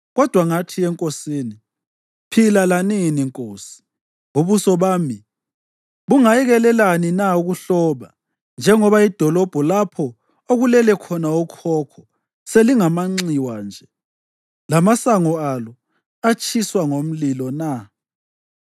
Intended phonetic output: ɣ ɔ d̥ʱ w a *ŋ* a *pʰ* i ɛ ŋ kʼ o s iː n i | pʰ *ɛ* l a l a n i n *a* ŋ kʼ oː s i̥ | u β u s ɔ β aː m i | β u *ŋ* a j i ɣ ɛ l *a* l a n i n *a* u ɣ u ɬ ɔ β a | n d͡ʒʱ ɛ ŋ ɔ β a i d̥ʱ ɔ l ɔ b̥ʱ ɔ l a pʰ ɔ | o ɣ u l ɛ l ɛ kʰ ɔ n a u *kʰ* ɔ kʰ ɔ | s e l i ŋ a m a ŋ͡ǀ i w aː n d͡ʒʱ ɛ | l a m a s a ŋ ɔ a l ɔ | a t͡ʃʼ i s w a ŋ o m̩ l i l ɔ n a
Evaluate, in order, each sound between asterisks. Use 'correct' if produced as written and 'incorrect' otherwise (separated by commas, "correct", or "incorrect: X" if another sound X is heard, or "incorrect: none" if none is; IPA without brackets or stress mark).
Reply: correct, incorrect: tʰ, incorrect: i, incorrect: i, correct, incorrect: ɛ, correct, correct